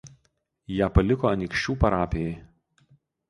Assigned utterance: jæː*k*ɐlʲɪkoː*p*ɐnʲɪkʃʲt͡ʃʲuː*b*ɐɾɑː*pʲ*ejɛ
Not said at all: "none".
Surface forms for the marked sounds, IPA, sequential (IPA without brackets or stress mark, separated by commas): p, none, p, pʲ